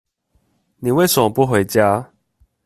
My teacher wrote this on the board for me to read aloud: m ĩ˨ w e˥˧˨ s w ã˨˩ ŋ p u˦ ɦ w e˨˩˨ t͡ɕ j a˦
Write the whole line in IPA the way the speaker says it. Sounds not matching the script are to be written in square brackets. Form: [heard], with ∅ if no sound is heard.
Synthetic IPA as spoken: [n] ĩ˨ w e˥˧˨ s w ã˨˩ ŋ p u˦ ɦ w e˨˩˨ t͡ɕ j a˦